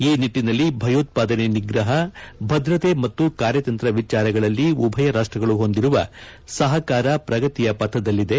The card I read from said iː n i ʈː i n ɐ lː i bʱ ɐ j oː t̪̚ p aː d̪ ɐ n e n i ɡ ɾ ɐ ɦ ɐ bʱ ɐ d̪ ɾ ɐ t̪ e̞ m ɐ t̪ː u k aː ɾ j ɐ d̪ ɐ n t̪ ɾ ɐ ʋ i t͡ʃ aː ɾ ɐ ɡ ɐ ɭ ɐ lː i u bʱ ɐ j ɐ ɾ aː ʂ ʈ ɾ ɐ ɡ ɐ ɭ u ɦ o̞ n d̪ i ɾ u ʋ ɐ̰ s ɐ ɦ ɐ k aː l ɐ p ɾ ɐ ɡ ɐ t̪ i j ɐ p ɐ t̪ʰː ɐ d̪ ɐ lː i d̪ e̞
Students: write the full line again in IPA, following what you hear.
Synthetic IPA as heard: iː n i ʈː i n ɐ lː i bʱ ɐ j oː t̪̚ p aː d̪ ɐ n e n i ɡ ɾ ɐ ɦ ɐ bʱ ɐ d̪ ɾ ɐ t̪ e̞ m ɐ t̪ː u k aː ɾ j ɐ t̪ ɐ n t̪ ɾ ɐ ʋ i t͡ʃ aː ɾ ɐ ɡ ɐ ɭ ɐ lː i u bʱ ɐ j ɐ ɾ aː ʂ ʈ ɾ ɐ ɡ ɐ ɭ u ɦ o̞ n d̪ i ɾ u ʋ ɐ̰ s ɐ ɦ ɐ k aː ɾ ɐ p ɾ ɐ ɡ ɐ t̪ i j ɐ p ɐ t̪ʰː ɐ d̪ ɐ lː i d̪ e̞

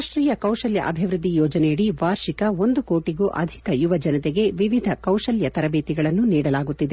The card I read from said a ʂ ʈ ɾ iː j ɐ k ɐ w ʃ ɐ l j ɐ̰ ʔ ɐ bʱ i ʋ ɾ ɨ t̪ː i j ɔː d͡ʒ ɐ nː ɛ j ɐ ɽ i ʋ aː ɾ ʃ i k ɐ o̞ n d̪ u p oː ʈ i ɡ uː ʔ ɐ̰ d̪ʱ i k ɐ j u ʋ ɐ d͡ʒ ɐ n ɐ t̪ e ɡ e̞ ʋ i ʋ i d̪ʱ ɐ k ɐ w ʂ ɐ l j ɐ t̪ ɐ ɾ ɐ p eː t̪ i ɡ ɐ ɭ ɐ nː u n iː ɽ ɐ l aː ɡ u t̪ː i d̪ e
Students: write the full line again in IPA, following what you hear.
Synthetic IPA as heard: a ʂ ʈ ɾ iː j ɐ k ɐ w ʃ ɐ l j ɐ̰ ʔ ɐ bʱ i ʋ ɾ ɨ d̪ː i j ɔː d͡ʒ ɐ n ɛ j ɐ ɽ i ʋ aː ɾ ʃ i k ɐ o̞ n d̪ u k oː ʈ i ɡ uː ʔ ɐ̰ d̪ʱ i k ɐ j u ʋ ɐ d͡ʒ ɐ n ɐ t̪ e ɡ e̞ ʋ i ʋ i d̪ʱ ɐ k ɐ w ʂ ɐ l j ɐ t̪ ɐ ɾ ɐ b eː t̪ i ɡ ɐ ɭ ɐ nː u n iː ɽ ɐ l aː ɡ u t̪ː i d̪ e

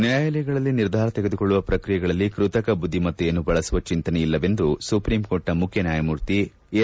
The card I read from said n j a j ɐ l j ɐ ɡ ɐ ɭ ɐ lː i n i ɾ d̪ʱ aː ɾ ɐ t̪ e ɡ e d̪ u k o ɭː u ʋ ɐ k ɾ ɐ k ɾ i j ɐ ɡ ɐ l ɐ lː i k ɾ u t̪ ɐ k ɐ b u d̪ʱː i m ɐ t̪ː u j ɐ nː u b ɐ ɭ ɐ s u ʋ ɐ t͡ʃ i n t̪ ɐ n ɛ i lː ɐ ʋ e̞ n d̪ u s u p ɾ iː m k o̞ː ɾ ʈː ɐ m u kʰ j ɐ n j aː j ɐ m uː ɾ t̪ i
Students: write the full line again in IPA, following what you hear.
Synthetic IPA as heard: n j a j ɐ l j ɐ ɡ ɐ ɭ ɐ lː i n i ɾ d̪ʱ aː ɾ ɐ t̪ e ɡ e d̪ u k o ɭː u ʋ ɐ p ɾ ɐ k ɾ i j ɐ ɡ ɐ ɭ ɐ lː i k ɾ u t̪ ɐ k ɐ b u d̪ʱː i m ɐ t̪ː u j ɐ nː u b ɐ ɭ ɐ s u ʋ ɐ t͡ʃ i n t̪ ɐ n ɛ i lː ɐ ʋ e̞ n d̪ u s u p ɾ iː m k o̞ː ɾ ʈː ɐ m u kʰ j ɐ n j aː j ɐ m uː ɾ t̪ i

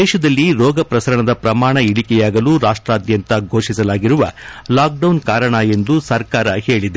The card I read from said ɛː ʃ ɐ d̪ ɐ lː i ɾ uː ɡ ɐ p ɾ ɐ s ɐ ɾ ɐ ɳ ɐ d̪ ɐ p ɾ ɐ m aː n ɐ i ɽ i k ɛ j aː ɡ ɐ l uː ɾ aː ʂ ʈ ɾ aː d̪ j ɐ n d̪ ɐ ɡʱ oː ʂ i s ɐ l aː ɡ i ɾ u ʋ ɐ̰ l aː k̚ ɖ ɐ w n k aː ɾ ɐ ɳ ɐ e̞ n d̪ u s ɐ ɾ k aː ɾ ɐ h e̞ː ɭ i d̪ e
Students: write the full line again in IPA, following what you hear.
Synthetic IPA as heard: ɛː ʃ ɐ d̪ ɐ lː i ɾ ɔː ɡ ɐ p ɾ ɐ s ɐ ɾ ɐ ɳ ɐ d̪ ɐ p ɾ ɐ m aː ɳ ɐ i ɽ i k ɛ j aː ɡ ɐ l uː ɾ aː ʂ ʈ ɾ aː d̪ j ɐ n t̪ ɐ ɡʱ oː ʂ i s ɐ l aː ɡ i ɾ u ʋ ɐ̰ l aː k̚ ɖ ɐ w n k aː ɾ ɐ ɳ ɐ e̞ n d̪ u s ɐ ɾ k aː ɾ ɐ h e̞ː ɭ i d̪ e

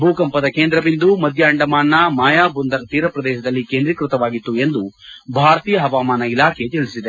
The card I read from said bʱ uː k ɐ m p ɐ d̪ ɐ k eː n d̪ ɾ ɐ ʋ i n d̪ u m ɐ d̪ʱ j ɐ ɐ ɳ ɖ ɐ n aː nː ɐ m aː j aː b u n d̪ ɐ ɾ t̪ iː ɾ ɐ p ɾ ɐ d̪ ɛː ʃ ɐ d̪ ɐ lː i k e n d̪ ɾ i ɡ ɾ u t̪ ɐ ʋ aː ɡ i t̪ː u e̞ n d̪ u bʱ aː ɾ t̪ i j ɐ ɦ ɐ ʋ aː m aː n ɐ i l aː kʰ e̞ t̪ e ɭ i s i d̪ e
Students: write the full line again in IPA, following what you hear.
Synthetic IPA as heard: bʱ uː k ɐ m p ɐ d̪ ɐ k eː n d̪ ɾ ɐ ʋ i n d̪ u m ɐ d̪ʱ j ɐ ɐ ɳ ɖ ɐ m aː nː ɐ m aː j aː b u n d̪ ɐ ɾ t̪ iː ɾ ɐ p ɾ ɐ d̪ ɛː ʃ ɐ d̪ ɐ lː i k e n d̪ ɾ i k ɾ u t̪ ɐ ʋ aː ɡ i t̪ː u e̞ n d̪ u bʱ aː ɾ t̪ i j ɐ ɦ ɐ ʋ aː m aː n ɐ i l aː kʰ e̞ t̪ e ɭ i s i d̪ e

